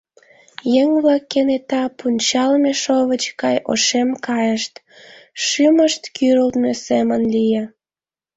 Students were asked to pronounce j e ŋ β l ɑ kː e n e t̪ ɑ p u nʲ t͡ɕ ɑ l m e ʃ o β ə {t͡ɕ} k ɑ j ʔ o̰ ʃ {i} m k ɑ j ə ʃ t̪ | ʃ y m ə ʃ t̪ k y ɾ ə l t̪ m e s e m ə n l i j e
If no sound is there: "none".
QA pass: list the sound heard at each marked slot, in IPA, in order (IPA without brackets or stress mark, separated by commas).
t͡ɕ, e